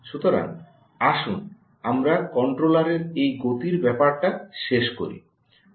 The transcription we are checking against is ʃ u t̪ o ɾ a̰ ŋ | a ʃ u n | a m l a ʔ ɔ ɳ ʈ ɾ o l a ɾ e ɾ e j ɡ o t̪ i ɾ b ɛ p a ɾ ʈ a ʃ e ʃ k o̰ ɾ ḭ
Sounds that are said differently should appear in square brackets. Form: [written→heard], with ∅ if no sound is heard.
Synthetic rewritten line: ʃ u t̪ o ɾ a̰ ŋ | a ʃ u n | a m [l→ɾ] a [ʔ→k] ɔ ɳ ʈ ɾ o l a ɾ e ɾ e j ɡ o t̪ i ɾ b ɛ p a ɾ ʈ a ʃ e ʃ k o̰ ɾ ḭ